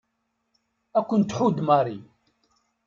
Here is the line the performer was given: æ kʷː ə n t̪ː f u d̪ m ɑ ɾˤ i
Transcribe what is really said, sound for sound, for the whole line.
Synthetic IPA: æ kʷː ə n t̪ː ħ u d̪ m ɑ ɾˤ i